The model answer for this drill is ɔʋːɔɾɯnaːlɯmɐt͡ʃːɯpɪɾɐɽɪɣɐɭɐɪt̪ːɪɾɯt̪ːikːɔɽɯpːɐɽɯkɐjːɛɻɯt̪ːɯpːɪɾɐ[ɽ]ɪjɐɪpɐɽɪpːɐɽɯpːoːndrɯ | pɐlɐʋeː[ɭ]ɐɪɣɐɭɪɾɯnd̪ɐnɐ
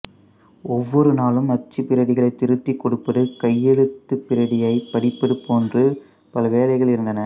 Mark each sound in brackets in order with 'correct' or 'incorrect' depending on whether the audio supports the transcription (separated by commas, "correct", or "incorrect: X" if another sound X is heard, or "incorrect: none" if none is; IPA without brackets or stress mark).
correct, incorrect: l